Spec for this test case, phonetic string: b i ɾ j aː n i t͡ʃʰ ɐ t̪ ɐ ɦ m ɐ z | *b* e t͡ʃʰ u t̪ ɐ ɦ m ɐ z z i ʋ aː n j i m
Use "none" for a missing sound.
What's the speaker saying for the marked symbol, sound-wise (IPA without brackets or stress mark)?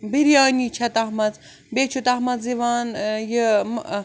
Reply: b